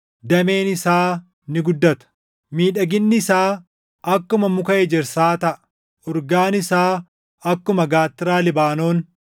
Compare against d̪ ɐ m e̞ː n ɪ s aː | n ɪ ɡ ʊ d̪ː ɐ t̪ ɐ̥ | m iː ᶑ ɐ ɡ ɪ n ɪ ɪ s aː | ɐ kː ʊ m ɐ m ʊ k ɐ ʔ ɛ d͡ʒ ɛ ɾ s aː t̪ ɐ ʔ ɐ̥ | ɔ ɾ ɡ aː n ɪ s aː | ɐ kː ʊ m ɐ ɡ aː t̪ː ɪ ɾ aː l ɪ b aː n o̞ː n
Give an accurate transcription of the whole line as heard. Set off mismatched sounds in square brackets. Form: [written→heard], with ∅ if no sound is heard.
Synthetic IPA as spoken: d̪ ɐ m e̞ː n ɪ s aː | n ɪ ɡ ʊ d̪ː ɐ t̪ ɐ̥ | m iː ᶑ ɐ ɡ ɪ [n→nː] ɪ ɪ s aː | ɐ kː ʊ m ɐ m ʊ k ɐ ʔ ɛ d͡ʒ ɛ ɾ s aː t̪ ɐ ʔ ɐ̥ | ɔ ɾ ɡ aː n ɪ s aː | ɐ kː ʊ m ɐ ɡ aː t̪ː ɪ ɾ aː l ɪ b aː n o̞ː n

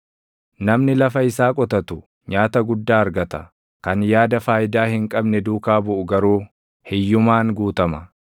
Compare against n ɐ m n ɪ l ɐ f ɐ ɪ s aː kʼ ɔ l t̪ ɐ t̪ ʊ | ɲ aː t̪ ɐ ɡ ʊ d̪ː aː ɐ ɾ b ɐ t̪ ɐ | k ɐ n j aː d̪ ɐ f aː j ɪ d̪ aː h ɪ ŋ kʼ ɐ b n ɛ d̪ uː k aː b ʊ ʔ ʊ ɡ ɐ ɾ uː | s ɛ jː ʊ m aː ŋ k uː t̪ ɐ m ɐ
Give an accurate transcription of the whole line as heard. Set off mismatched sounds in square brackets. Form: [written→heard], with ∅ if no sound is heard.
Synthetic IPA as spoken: n ɐ m n ɪ l ɐ f ɐ ɪ s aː kʼ ɔ [l→∅] t̪ ɐ t̪ ʊ | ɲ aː t̪ ɐ ɡ ʊ d̪ː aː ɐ ɾ [b→ɡ] ɐ t̪ ɐ | k ɐ n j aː d̪ ɐ f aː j ɪ d̪ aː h ɪ ŋ kʼ ɐ b n ɛ d̪ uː k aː b ʊ ʔ ʊ ɡ ɐ ɾ uː | [s→h] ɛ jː ʊ m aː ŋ [k→ɡ] uː t̪ ɐ m ɐ

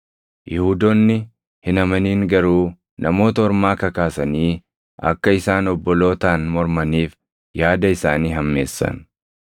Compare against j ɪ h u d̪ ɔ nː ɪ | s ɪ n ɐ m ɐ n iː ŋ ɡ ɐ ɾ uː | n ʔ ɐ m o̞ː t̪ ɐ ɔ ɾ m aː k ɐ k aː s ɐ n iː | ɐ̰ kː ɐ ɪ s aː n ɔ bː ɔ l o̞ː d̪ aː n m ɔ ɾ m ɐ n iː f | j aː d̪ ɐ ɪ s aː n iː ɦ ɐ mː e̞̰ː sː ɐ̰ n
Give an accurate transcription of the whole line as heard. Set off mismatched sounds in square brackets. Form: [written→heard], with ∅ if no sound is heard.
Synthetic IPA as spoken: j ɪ h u d̪ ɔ nː ɪ | [s→h] ɪ n ɐ m ɐ n iː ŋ ɡ ɐ ɾ uː | n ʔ ɐ m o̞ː t̪ ɐ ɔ ɾ m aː k ɐ k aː s ɐ n iː | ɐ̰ kː ɐ ɪ s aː n ɔ bː ɔ l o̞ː [d̪→t̪] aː n m ɔ ɾ m ɐ n iː f | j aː d̪ ɐ ɪ s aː n iː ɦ ɐ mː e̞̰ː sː ɐ̰ n

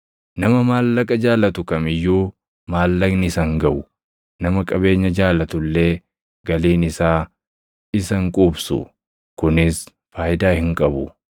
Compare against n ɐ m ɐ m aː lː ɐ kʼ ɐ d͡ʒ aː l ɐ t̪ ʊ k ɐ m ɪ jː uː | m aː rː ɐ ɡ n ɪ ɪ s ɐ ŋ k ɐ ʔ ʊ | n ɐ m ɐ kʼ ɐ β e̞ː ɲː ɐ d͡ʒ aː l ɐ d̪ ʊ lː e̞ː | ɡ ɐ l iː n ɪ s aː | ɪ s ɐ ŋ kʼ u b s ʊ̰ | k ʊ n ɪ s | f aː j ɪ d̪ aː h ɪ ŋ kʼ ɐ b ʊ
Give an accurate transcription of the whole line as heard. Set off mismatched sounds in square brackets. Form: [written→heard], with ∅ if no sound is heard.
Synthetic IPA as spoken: n ɐ m ɐ m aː lː ɐ kʼ ɐ d͡ʒ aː l ɐ t̪ ʊ k ɐ m ɪ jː uː | m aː [rː→lː] ɐ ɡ n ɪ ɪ s ɐ ŋ [k→ɡ] ɐ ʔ ʊ | n ɐ m ɐ kʼ ɐ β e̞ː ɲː ɐ d͡ʒ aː l ɐ [d̪→t̪] ʊ lː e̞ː | ɡ ɐ l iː n ɪ s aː | ɪ s ɐ ŋ kʼ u b s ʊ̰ | k ʊ n ɪ s | f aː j ɪ d̪ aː h ɪ ŋ kʼ ɐ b ʊ

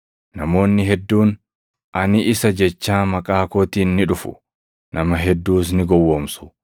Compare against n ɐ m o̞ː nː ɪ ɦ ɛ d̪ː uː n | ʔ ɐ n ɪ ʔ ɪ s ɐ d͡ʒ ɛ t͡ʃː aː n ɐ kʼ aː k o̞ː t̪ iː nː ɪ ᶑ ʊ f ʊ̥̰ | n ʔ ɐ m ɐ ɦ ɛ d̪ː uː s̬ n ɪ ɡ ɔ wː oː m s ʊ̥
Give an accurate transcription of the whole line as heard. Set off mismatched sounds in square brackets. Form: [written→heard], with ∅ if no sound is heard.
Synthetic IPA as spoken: n ɐ m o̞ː nː ɪ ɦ ɛ d̪ː uː n | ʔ ɐ n ɪ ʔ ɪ s ɐ d͡ʒ ɛ t͡ʃː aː [n→m] ɐ kʼ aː k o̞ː t̪ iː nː ɪ ᶑ ʊ f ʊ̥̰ | n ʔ ɐ m ɐ ɦ ɛ d̪ː uː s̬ n ɪ ɡ ɔ wː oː m s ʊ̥

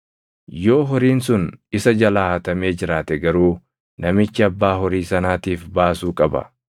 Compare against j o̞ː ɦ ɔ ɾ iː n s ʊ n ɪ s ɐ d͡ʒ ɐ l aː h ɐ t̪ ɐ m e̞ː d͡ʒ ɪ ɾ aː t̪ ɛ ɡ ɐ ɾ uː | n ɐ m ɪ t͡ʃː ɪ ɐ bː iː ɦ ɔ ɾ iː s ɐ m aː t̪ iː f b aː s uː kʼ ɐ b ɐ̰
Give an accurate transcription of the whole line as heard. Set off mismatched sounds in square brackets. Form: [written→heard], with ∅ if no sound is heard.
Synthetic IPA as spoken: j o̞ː ɦ ɔ ɾ iː n s ʊ n ɪ s ɐ d͡ʒ ɐ l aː h ɐ t̪ ɐ m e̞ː d͡ʒ ɪ ɾ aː t̪ ɛ ɡ ɐ ɾ uː | n ɐ m ɪ t͡ʃː ɪ ɐ bː [iː→aː] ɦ ɔ ɾ iː s ɐ [m→n] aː t̪ iː f b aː s uː kʼ ɐ b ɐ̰

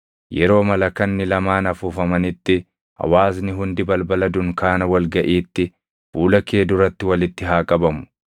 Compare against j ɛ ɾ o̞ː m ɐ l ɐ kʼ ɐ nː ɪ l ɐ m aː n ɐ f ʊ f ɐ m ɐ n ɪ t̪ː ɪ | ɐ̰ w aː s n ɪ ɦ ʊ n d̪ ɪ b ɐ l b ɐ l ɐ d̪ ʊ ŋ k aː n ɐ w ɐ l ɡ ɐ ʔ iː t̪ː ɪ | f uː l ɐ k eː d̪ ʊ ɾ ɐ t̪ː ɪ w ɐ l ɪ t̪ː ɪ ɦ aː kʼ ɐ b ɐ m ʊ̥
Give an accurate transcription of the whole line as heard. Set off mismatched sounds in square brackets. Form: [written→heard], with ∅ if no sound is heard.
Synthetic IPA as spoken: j ɛ ɾ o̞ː m ɐ l ɐ [kʼ→k] ɐ nː ɪ l ɐ m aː n ɐ f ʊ f ɐ m ɐ n ɪ t̪ː ɪ | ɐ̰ w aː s n ɪ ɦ ʊ n d̪ ɪ b ɐ l b ɐ l ɐ d̪ ʊ ŋ k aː n ɐ w ɐ l ɡ ɐ ʔ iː t̪ː ɪ | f uː l ɐ k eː d̪ ʊ ɾ ɐ t̪ː ɪ w ɐ l ɪ t̪ː ɪ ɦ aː kʼ ɐ b ɐ m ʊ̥

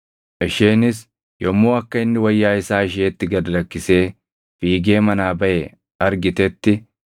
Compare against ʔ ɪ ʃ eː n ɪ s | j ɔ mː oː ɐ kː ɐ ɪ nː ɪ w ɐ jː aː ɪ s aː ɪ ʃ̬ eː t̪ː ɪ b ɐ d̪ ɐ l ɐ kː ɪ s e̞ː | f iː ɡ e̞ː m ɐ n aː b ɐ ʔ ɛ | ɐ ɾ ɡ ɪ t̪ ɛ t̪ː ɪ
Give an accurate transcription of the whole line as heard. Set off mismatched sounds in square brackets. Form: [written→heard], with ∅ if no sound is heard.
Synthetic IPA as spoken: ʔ ɪ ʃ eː n ɪ s | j ɔ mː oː ɐ kː ɐ ɪ nː ɪ w ɐ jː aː ɪ s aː ɪ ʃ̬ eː t̪ː ɪ [b→ɡ] ɐ d̪ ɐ l ɐ kː ɪ s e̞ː | f iː ɡ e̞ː m ɐ n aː b ɐ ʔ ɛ | ɐ ɾ ɡ ɪ t̪ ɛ t̪ː ɪ

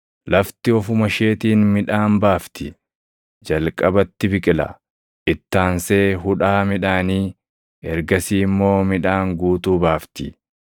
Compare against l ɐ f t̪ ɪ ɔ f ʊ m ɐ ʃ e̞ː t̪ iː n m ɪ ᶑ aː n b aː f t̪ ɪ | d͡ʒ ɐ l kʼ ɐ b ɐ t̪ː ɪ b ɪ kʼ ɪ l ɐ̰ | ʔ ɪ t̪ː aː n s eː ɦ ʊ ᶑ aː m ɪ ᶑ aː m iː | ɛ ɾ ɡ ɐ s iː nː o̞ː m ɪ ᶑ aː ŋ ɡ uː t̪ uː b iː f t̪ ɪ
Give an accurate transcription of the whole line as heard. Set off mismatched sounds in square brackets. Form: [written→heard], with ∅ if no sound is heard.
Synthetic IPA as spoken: l ɐ f t̪ ɪ ɔ f ʊ m ɐ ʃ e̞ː t̪ iː n m ɪ ᶑ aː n b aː f t̪ ɪ | d͡ʒ ɐ l kʼ ɐ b ɐ t̪ː ɪ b ɪ kʼ ɪ l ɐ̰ | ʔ ɪ t̪ː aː n s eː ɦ ʊ ᶑ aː m ɪ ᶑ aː [m→n] iː | ɛ ɾ ɡ ɐ s iː [nː→mː] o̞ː m ɪ ᶑ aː ŋ ɡ uː t̪ uː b [iː→aː] f t̪ ɪ

